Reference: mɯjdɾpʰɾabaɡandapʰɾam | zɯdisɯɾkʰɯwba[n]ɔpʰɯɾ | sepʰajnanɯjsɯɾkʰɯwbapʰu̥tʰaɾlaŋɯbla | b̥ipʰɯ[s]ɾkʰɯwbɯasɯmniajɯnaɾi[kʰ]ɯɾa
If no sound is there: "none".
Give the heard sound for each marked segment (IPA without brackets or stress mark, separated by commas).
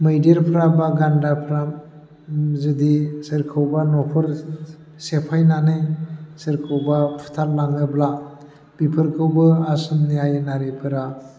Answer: n, none, pʰ